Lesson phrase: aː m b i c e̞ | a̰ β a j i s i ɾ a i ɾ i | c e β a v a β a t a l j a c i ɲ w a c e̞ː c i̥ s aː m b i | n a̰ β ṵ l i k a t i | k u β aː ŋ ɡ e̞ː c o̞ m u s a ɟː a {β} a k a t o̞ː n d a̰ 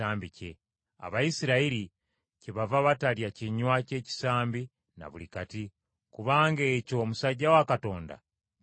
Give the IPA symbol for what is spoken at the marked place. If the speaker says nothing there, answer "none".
w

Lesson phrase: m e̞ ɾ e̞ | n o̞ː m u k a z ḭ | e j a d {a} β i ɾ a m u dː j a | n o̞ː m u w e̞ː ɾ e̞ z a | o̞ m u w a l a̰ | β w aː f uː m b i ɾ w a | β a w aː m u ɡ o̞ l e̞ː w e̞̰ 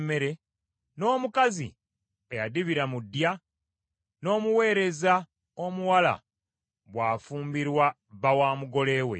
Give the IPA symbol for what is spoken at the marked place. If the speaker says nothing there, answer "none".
i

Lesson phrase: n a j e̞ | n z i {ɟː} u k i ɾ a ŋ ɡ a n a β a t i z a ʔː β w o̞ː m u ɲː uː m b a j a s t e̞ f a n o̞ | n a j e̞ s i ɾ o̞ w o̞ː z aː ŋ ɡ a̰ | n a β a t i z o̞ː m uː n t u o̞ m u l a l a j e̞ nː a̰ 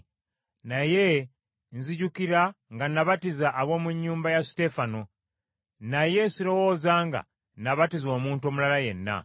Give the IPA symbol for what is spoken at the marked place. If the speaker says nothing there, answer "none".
ɟ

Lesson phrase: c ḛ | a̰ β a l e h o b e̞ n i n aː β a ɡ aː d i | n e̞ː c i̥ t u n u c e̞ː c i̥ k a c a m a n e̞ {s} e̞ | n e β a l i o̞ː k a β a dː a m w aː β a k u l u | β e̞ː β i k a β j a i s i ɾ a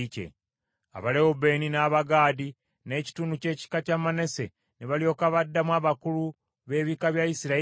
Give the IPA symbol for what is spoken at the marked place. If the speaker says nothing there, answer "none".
s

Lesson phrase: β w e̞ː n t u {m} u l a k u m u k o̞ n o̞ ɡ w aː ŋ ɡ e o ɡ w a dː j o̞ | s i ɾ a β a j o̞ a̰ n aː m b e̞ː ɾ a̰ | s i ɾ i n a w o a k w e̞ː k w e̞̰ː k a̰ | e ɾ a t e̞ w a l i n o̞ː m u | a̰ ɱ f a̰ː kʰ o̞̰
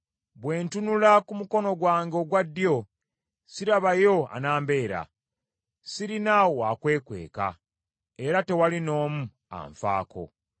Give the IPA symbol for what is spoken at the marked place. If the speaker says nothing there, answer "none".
n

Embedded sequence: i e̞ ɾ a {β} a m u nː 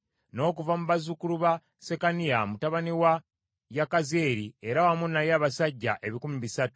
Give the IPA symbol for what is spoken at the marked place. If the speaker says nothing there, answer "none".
w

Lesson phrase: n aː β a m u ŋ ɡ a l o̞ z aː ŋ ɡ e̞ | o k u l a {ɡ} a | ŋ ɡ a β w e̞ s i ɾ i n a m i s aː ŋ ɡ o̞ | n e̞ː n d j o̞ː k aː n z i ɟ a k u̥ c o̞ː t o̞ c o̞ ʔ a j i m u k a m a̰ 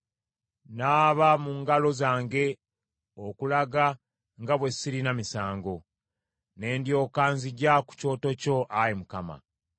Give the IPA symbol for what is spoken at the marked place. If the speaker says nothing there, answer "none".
ɡ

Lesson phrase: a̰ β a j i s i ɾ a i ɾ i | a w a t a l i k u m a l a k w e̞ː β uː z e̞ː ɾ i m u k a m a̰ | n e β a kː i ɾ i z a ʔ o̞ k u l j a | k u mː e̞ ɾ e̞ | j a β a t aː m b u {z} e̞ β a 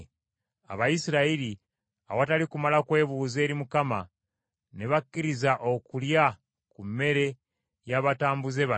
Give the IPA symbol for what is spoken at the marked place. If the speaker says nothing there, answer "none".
z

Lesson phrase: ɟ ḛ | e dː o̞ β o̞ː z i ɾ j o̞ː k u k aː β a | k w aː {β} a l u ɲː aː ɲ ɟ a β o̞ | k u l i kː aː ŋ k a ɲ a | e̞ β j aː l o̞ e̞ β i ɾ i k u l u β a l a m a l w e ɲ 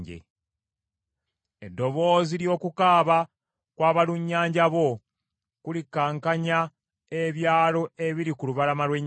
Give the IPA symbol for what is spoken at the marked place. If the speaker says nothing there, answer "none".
β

